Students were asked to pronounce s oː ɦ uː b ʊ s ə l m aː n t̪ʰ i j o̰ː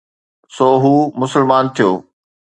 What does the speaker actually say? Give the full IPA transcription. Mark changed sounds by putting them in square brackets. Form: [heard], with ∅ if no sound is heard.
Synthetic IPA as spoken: s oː ɦ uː [m] ʊ s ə l m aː n t̪ʰ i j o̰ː